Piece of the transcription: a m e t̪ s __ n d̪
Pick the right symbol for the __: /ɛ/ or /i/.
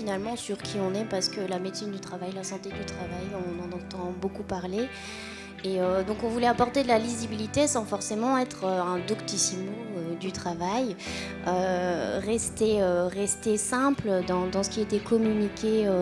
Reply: i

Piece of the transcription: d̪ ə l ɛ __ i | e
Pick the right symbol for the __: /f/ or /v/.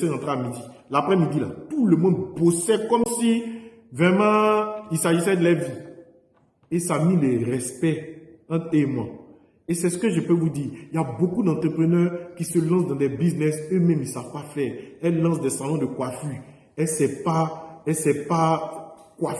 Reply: v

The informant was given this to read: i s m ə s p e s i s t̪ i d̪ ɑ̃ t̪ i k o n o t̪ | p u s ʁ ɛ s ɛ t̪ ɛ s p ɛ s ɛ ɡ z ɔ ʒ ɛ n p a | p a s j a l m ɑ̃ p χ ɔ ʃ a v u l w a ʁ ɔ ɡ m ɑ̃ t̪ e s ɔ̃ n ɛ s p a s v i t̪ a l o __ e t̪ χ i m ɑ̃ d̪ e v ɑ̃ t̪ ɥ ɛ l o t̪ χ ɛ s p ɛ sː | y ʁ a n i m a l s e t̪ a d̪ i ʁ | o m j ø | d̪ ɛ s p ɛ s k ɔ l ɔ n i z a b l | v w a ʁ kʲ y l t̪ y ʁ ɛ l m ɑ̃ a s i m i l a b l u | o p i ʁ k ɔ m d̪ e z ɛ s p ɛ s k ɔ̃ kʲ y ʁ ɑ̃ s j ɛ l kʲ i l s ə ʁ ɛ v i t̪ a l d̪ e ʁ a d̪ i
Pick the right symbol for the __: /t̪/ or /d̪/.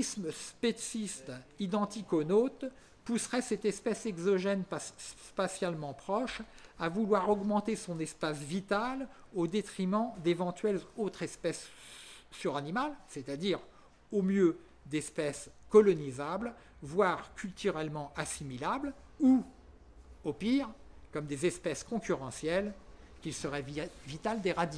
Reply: d̪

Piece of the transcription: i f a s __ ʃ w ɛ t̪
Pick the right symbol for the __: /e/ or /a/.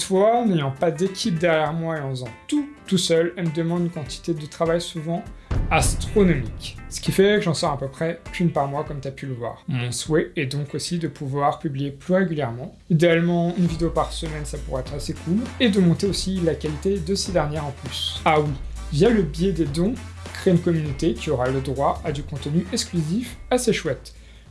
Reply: e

